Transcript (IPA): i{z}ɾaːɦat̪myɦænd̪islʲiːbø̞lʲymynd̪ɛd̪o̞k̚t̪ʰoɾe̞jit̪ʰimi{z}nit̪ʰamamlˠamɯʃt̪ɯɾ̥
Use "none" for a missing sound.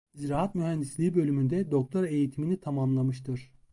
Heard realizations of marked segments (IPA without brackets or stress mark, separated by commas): z, none